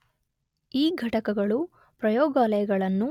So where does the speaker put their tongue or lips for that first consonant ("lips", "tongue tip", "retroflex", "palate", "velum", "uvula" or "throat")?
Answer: velum